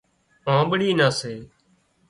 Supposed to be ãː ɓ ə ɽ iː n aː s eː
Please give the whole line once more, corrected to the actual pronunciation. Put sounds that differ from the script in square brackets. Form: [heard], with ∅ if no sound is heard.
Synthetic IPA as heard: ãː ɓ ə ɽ iː n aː s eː

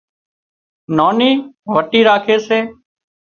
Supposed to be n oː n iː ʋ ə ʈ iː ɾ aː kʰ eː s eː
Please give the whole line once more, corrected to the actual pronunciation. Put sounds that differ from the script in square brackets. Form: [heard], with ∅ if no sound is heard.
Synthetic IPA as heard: n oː n iː ʋ ə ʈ iː ɾ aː kʰ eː s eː

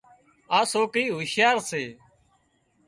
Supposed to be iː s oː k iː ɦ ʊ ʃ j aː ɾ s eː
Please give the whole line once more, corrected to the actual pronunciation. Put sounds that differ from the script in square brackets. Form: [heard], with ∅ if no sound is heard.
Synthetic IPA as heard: [aː] s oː k iː ɦ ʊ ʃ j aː ɾ s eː

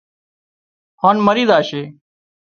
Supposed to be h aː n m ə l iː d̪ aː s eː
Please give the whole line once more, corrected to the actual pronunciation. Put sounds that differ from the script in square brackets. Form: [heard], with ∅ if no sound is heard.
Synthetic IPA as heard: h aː n m ə [ɾ] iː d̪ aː [ʃ] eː

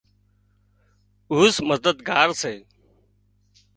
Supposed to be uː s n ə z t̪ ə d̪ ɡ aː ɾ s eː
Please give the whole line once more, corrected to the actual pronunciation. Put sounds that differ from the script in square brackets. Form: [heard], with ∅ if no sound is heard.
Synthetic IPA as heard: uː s [m] ə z [d̪] ə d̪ ɡ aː ɾ s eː

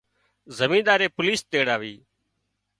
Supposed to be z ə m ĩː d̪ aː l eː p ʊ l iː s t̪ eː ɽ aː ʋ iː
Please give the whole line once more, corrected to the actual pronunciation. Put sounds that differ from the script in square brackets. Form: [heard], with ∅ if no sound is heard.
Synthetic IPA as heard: z ə m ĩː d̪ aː [ɾ] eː p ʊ l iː s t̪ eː ɽ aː ʋ iː

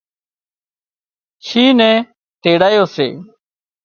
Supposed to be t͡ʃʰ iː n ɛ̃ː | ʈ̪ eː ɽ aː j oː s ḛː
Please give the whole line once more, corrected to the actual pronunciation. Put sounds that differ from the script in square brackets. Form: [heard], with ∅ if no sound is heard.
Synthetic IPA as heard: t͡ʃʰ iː n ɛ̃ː | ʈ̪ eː ɽ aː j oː s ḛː

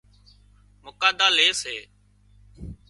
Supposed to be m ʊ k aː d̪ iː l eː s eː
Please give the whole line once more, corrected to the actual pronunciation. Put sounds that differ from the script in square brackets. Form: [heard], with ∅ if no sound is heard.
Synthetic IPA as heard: m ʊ k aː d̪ [aː] l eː s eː

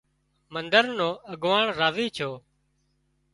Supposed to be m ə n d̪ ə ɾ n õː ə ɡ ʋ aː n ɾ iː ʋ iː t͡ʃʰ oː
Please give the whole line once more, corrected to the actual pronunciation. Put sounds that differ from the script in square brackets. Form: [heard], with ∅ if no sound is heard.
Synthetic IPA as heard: m ə n d̪ ə ɾ n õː ə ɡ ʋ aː [ɳ] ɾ [aː] ʋ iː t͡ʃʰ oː

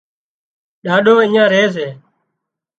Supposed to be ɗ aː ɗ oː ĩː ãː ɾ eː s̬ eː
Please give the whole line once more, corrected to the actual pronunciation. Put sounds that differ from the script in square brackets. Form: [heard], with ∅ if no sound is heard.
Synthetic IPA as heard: ɗ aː ɗ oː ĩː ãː ɾ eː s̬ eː

